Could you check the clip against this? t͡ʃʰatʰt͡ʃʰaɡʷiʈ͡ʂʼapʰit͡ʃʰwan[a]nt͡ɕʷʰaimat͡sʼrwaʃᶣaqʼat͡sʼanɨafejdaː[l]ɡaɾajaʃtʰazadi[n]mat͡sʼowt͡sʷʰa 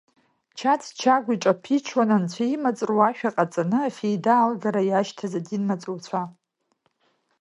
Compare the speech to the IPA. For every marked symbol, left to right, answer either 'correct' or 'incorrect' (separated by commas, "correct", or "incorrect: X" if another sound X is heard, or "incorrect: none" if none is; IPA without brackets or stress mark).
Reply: correct, correct, correct